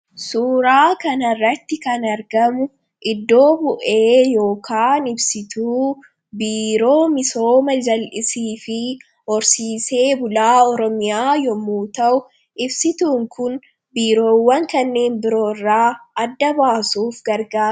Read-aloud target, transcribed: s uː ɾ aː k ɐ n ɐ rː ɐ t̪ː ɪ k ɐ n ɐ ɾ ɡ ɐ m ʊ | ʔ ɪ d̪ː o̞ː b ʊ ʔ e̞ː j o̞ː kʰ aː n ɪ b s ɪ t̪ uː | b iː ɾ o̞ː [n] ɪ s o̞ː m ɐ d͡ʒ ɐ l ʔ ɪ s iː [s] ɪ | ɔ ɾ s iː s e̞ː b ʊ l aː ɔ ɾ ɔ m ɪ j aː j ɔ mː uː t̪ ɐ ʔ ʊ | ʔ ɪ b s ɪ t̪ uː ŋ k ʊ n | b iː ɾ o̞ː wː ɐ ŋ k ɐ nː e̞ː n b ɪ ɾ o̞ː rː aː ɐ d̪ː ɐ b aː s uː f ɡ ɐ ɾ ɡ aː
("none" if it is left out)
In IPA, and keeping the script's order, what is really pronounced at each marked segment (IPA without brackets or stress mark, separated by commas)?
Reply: m, f